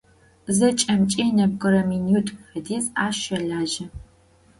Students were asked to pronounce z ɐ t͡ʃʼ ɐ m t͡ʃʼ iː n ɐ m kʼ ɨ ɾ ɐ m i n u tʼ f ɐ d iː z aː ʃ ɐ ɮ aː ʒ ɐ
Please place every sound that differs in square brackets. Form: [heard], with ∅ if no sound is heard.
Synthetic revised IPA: z ɐ t͡ʃʼ ɐ m t͡ʃʼ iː n ɐ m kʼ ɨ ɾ ɐ m i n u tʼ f ɐ d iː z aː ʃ ɐ ɮ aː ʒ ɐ